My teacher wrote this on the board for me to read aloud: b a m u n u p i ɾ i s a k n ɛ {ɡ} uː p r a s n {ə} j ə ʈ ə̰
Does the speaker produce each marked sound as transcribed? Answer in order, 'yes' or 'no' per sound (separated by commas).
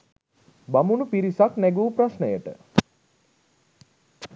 yes, yes